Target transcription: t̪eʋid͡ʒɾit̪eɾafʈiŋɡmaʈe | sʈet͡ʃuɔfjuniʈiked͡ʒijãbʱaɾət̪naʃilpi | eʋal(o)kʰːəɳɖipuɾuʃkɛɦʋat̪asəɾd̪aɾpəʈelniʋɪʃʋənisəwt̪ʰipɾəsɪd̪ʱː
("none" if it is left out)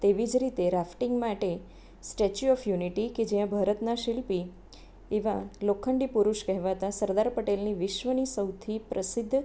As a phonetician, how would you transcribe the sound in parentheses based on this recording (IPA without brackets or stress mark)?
o